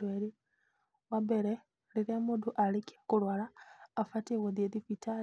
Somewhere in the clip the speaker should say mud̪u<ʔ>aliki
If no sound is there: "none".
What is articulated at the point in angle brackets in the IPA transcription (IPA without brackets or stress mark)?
ʔ